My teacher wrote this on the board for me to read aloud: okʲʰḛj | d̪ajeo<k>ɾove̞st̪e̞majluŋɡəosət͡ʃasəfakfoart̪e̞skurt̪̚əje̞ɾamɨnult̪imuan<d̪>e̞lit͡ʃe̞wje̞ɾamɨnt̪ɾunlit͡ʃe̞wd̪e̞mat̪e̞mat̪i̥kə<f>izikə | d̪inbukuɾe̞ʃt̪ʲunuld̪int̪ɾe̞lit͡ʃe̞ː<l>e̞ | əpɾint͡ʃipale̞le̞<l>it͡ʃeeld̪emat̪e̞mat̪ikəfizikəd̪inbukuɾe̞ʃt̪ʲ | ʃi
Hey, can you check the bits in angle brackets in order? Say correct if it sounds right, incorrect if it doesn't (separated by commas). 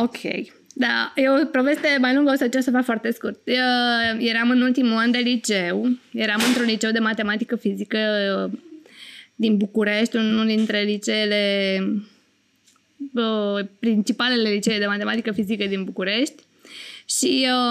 incorrect, correct, correct, correct, correct